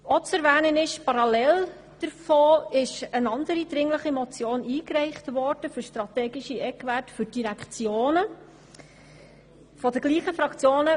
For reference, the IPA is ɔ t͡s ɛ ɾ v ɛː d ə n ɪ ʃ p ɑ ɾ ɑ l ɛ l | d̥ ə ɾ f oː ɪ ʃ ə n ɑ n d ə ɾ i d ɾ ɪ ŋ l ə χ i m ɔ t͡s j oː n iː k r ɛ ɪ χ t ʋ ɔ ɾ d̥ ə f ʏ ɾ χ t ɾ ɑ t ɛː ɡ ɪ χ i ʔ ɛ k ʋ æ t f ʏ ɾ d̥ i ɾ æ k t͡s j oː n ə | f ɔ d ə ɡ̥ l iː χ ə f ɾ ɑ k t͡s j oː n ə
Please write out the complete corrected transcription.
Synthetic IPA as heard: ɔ t͡s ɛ ɾ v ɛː n ə n ɪ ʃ p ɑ ɾ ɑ l ɛ l | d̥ ə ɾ f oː ɪ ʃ ə n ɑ n d ə ɾ i d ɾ ɪ ŋ l ə χ i m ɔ t͡s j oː n iː k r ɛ ɪ χ t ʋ ɔ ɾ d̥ ə f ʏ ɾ ʃ t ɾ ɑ t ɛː ɡ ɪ ʃ i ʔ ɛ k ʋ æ t f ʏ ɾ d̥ i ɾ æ k t͡s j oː n ə | f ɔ d ə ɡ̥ l iː χ ə f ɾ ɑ k t͡s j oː n ə